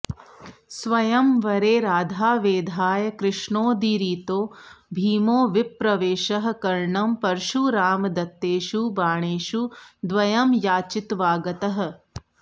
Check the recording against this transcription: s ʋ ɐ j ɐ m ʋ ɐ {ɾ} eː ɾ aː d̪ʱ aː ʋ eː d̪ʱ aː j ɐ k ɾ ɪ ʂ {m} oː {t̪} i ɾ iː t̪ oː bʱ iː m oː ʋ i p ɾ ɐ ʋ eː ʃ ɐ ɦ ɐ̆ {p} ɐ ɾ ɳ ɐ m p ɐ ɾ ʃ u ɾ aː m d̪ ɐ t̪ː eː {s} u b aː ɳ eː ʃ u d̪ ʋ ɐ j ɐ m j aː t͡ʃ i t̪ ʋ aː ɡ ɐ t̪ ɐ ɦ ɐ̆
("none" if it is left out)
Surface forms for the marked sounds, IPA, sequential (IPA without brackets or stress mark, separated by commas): ɾ, ɳ, d̪, k, ʃ